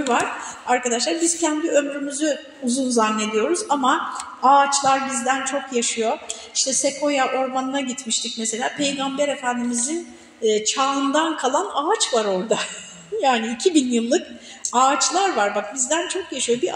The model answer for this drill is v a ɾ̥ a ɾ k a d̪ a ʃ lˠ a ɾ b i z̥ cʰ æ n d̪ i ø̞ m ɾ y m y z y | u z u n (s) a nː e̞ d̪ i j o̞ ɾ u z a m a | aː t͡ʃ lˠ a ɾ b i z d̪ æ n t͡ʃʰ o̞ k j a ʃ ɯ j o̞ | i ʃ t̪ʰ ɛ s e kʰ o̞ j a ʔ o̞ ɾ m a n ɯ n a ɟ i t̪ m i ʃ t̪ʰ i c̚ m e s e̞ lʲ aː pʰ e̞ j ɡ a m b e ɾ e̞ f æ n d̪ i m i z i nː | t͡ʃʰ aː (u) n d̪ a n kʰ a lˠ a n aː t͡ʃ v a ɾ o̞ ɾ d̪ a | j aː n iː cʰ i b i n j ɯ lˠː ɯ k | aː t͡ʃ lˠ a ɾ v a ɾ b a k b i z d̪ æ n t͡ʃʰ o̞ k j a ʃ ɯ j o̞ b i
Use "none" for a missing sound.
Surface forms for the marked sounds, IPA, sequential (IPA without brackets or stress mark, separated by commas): z, ɯ